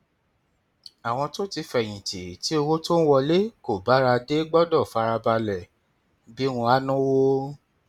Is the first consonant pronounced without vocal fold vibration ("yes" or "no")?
no